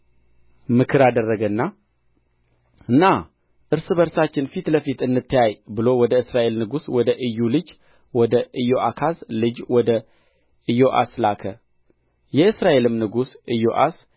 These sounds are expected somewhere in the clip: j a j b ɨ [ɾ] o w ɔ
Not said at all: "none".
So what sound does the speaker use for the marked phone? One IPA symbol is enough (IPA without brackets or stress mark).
l